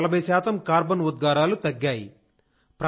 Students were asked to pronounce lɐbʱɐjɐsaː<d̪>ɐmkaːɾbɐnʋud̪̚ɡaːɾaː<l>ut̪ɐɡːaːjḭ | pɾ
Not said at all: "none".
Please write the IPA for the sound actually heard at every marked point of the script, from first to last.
t̪, l

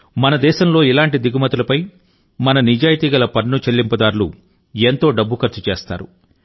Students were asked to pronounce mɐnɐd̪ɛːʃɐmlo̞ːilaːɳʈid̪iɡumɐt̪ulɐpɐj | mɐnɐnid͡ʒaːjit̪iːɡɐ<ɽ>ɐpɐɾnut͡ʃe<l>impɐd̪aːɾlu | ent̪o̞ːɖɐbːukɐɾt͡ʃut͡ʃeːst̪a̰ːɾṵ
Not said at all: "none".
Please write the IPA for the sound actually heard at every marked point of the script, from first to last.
l, lː

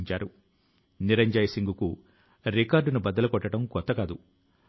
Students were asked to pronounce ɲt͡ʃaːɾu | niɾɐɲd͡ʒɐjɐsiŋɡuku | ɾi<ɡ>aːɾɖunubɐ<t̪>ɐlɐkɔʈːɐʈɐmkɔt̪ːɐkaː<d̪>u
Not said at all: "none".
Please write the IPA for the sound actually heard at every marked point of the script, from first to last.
k, d̪, d̪

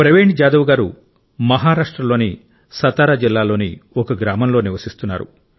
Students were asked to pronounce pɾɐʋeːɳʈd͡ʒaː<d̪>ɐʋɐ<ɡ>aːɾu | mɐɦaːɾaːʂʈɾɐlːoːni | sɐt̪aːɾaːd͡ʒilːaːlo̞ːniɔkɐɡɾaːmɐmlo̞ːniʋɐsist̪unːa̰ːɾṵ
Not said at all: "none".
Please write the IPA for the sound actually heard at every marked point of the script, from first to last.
d̪, ɡ

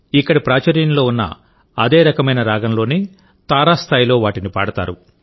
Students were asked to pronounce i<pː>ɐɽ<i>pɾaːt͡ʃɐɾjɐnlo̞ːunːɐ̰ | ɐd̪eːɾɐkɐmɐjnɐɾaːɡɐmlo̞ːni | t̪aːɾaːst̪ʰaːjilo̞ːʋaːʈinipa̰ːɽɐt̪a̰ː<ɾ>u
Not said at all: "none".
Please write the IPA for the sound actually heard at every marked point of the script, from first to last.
kː, i, ɾ

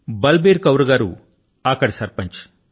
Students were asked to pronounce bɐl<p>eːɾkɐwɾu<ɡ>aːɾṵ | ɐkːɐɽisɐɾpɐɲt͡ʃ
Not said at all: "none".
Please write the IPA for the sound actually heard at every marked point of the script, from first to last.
b, ɡ

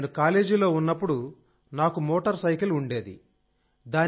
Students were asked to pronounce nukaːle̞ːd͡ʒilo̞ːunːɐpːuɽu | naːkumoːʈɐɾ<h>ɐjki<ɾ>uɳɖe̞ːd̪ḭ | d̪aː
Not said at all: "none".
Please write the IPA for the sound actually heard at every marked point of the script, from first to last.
s, l

